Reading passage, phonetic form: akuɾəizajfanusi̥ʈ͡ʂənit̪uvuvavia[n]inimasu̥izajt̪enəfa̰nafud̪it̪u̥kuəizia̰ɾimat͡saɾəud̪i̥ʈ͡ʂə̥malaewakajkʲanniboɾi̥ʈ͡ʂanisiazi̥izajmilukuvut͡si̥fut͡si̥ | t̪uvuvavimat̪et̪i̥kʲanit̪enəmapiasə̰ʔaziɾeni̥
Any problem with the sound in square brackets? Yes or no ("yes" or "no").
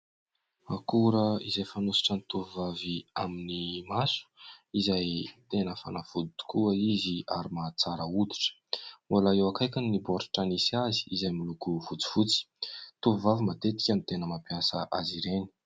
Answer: yes